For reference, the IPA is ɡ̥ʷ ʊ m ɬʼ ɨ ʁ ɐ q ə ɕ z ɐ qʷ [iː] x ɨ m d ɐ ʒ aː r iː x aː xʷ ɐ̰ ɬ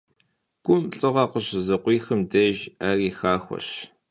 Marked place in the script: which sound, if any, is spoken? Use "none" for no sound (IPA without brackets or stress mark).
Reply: iː